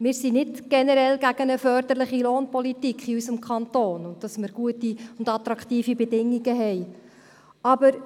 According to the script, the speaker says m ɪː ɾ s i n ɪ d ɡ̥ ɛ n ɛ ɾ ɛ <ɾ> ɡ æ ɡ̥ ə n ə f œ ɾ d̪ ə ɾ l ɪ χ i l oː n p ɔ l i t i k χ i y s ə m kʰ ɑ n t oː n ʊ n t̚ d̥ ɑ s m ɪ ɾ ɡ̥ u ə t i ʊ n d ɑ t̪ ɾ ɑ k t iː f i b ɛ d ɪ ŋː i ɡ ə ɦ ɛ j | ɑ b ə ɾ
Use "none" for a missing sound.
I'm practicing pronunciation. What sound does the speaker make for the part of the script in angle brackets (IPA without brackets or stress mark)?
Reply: l